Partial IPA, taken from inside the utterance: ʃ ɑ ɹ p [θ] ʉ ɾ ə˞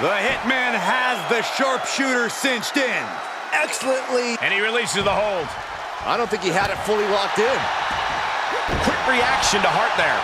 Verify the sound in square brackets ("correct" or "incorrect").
incorrect